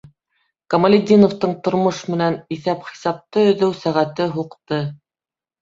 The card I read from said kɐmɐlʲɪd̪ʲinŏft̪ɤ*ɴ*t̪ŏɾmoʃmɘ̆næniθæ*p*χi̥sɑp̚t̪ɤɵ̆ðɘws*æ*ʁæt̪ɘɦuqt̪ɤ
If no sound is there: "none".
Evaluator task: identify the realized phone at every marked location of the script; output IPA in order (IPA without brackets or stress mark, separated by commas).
ɴ, p, æ